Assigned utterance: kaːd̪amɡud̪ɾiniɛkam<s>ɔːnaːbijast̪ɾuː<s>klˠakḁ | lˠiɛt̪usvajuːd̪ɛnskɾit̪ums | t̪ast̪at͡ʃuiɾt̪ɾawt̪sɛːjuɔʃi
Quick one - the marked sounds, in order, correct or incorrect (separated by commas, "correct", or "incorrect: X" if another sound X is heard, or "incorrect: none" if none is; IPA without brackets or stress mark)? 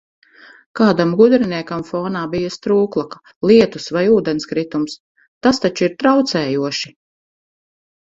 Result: incorrect: f, incorrect: none